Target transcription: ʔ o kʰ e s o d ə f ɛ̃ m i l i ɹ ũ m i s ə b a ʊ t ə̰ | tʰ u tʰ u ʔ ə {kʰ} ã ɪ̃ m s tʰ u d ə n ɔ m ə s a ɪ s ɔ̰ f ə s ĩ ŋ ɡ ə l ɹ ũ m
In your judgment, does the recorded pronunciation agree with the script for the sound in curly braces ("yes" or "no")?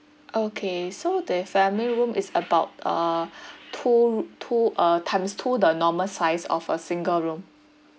no